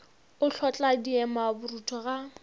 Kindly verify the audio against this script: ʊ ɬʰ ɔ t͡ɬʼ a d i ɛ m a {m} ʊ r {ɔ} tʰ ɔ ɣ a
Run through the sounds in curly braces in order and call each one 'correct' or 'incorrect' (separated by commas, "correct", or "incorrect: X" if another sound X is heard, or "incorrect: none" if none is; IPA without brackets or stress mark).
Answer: incorrect: b, incorrect: u